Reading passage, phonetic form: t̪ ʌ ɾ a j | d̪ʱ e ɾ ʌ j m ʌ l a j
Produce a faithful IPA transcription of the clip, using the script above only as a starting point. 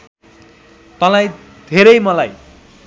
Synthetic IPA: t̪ ʌ l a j | d̪ʱ e ɾ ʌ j m ʌ l a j